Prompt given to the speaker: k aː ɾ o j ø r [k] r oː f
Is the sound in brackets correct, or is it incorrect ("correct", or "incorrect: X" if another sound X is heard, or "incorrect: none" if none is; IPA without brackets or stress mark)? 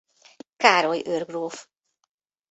incorrect: ɡ